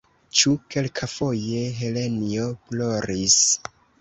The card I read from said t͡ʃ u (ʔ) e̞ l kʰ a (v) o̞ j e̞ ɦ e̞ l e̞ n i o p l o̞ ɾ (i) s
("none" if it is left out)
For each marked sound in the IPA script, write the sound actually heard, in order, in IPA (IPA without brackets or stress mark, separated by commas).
k, f, i